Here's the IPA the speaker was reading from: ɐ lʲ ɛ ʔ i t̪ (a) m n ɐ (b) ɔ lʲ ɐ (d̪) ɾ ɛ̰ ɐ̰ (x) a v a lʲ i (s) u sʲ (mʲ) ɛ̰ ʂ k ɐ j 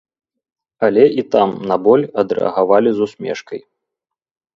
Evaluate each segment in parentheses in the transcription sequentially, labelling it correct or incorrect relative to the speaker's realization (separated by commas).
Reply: correct, correct, correct, incorrect, incorrect, correct